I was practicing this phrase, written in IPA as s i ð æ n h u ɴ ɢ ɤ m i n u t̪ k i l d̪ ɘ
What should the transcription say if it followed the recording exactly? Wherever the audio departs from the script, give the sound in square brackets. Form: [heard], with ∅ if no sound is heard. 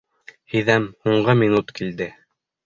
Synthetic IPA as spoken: [h] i ð æ [m] h u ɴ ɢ ɤ m i n u t̪ k i l d̪ ɘ